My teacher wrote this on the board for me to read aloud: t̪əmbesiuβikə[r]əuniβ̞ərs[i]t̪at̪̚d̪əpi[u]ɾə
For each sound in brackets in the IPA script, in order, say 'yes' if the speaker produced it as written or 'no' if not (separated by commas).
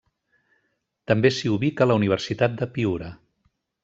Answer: no, yes, yes